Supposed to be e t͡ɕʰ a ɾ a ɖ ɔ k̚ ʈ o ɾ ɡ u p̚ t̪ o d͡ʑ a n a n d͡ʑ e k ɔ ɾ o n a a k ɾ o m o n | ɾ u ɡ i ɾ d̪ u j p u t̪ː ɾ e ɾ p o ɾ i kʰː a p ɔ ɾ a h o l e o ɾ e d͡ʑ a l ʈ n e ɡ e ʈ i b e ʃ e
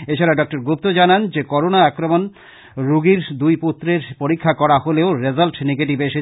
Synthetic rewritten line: e t͡ɕʰ a ɾ a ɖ ɔ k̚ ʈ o ɾ ɡ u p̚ t̪ o d͡ʑ a n a n d͡ʑ e k ɔ ɾ o n a a k ɾ o m o n | ɾ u ɡ i ɾ d̪ u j p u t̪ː ɾ e ɾ p o ɾ i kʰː a k ɔ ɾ a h o l e o ɾ e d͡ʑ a l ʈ n e ɡ e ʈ i b e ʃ e